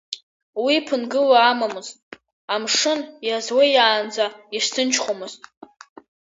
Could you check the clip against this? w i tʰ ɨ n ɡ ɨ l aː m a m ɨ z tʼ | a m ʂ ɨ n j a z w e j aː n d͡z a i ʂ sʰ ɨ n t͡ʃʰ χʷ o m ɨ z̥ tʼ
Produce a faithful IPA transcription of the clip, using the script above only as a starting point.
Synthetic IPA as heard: w i pʰ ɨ n ɡ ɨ l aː m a m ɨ z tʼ | a m ʂ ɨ n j a z w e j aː n d͡z a i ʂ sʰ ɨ n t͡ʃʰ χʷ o m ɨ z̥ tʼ